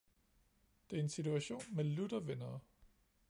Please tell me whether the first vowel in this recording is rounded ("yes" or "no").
no